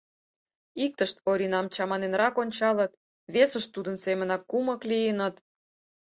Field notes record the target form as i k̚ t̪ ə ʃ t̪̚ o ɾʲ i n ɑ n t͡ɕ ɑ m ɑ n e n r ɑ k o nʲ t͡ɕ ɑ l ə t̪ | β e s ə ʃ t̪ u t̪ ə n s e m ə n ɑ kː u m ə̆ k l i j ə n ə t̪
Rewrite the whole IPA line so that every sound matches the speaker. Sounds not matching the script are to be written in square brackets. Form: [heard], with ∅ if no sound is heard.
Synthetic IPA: i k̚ t̪ ə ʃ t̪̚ o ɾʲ i n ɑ [m] t͡ɕ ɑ m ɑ n e n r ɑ k o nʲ t͡ɕ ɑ l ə t̪ | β e s ə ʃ t̪ u [d̪] ə n s e m ə n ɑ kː u m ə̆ k l i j ə n ə t̪